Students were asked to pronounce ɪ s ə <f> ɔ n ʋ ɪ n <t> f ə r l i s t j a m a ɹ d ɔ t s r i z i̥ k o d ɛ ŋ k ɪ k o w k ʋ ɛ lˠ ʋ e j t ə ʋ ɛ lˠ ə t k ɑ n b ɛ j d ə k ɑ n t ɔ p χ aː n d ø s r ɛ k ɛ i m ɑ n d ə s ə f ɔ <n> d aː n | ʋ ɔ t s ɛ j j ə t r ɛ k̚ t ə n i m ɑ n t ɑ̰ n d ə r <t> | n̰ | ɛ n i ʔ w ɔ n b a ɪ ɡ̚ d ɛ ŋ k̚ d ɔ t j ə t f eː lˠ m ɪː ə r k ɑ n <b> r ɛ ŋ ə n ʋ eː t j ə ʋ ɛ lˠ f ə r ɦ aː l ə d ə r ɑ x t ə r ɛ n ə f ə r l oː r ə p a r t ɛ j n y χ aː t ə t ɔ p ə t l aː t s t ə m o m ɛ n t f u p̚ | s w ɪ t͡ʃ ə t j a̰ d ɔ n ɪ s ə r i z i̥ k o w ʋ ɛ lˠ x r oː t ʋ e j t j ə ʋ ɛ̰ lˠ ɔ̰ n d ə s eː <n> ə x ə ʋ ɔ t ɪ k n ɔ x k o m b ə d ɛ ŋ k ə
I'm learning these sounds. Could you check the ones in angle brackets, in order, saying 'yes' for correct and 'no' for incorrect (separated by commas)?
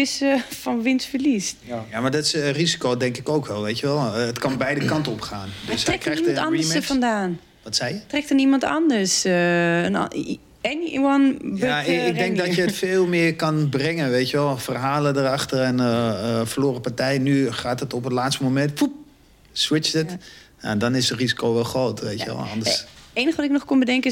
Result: yes, no, yes, no, yes, yes